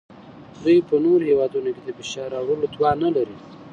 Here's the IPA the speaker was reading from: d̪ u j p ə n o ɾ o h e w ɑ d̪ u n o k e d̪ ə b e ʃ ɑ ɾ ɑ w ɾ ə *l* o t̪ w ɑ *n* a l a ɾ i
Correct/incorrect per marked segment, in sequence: correct, correct

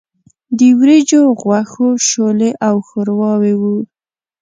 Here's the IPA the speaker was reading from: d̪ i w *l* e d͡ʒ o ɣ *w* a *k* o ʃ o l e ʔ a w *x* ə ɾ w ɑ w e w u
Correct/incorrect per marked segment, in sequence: incorrect, correct, incorrect, correct

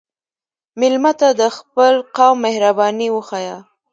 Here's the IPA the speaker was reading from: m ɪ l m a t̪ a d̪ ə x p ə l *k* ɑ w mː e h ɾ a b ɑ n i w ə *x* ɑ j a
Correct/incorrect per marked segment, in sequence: incorrect, correct

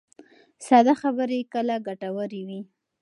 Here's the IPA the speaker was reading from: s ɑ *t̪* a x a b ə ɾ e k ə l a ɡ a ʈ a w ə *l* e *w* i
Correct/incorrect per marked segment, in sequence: incorrect, incorrect, correct

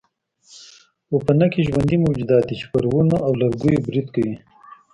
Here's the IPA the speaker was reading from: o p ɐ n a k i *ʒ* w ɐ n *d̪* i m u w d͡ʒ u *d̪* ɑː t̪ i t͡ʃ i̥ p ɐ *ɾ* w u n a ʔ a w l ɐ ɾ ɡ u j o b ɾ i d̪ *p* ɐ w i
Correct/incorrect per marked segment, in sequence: correct, correct, correct, correct, incorrect

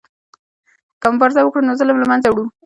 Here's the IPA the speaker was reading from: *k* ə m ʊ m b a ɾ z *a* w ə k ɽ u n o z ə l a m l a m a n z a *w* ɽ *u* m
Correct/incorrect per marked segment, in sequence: correct, correct, correct, correct

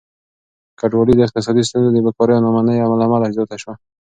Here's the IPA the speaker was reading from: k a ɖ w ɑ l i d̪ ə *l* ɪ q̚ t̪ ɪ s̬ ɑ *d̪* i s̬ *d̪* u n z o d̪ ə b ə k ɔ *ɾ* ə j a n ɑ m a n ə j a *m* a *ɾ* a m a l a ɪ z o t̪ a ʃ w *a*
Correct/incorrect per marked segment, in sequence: incorrect, correct, incorrect, correct, correct, incorrect, correct

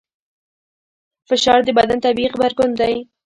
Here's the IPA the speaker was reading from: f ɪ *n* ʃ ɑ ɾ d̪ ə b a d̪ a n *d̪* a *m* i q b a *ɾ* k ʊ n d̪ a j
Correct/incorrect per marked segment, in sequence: incorrect, incorrect, incorrect, correct

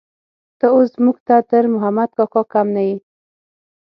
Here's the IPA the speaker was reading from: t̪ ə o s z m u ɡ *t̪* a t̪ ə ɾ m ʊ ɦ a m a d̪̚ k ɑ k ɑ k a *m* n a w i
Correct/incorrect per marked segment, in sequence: correct, correct

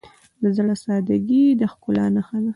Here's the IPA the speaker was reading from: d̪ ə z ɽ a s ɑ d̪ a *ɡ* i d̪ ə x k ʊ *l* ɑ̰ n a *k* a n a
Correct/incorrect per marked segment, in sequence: correct, correct, incorrect

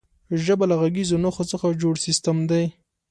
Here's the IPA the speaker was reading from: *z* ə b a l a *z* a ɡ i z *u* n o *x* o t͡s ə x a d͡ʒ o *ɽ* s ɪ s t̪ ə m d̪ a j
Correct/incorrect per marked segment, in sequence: incorrect, incorrect, incorrect, correct, correct

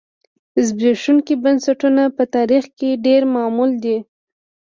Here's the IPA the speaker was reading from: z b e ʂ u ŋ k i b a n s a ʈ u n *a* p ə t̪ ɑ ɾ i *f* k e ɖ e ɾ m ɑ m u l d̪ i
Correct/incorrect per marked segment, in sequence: correct, incorrect

